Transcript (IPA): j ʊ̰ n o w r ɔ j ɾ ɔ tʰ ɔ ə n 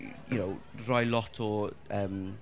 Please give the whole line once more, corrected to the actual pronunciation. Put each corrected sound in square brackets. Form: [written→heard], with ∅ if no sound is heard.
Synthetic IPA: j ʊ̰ n o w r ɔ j [ɾ→l] ɔ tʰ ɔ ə [n→m]